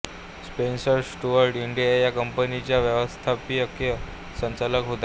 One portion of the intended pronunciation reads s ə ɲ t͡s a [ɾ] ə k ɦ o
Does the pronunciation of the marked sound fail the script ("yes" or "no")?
yes